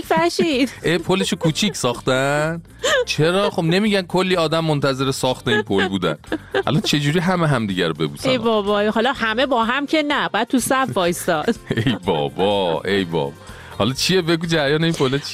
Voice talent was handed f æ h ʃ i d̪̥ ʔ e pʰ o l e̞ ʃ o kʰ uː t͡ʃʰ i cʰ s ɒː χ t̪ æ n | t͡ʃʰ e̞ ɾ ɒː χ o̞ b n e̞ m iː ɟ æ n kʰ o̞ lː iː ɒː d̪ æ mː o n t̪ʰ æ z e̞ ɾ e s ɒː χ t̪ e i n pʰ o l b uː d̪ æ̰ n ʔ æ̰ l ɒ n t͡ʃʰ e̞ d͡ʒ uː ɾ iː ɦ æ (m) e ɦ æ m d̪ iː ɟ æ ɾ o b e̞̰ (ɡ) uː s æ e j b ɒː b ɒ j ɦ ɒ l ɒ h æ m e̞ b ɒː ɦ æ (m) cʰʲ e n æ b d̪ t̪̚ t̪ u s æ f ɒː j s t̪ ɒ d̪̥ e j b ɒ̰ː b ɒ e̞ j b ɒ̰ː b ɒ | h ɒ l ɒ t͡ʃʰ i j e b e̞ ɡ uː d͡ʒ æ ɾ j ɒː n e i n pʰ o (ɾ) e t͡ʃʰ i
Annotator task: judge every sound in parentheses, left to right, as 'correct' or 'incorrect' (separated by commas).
correct, incorrect, correct, incorrect